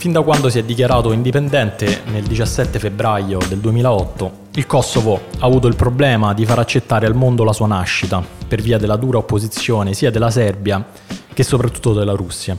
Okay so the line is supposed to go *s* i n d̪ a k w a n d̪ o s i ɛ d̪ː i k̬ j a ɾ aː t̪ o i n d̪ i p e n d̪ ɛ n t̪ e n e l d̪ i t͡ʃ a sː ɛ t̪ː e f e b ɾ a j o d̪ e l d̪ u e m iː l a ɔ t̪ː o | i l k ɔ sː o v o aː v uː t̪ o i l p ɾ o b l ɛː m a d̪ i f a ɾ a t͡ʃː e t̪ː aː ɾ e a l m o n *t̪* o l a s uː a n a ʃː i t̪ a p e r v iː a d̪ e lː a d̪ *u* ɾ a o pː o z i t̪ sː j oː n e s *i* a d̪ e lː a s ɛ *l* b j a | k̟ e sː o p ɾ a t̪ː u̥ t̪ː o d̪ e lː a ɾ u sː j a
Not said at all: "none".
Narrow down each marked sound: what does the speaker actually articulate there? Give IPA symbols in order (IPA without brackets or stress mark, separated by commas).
f, d̪, uː, iː, r